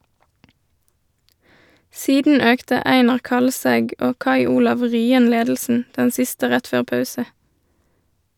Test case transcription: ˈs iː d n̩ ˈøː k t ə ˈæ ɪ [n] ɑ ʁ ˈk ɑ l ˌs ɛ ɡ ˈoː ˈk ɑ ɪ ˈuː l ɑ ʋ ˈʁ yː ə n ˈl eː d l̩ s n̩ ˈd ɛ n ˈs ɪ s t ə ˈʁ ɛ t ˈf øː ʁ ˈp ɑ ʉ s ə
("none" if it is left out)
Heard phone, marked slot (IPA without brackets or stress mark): n